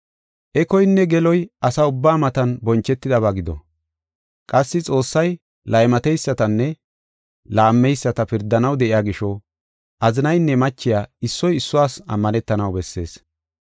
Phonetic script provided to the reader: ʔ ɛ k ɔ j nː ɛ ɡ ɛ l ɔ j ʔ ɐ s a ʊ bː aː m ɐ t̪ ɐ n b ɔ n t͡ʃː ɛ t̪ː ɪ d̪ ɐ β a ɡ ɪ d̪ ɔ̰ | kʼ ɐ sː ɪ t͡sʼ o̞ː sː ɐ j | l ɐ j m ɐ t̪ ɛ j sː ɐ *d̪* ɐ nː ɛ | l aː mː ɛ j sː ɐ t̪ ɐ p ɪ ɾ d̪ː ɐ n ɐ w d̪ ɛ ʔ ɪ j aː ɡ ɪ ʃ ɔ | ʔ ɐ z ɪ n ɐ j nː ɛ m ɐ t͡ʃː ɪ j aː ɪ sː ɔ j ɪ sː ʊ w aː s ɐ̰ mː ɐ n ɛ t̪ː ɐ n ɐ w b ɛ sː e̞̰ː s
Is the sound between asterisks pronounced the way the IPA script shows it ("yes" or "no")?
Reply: no